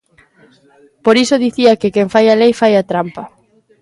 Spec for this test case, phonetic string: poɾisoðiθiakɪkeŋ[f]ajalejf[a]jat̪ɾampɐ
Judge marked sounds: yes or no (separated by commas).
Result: yes, yes